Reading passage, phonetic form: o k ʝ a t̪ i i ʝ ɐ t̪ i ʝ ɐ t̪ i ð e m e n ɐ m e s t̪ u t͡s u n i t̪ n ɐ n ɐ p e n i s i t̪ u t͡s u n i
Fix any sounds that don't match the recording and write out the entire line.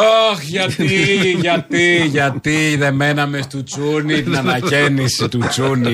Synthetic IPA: o x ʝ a t̪ i i ʝ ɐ t̪ i ʝ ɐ t̪ i ð e m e n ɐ m e s t̪ u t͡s u n i t̪ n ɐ n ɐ c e n i s i t̪ u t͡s u n i